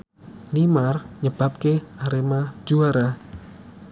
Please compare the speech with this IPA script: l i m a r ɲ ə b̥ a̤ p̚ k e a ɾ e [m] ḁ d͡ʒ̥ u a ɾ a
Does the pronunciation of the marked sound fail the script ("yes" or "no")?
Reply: no